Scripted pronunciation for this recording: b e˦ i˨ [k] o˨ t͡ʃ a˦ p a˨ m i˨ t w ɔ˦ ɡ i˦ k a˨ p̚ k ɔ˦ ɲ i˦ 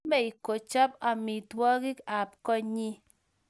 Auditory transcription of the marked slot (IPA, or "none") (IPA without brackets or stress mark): k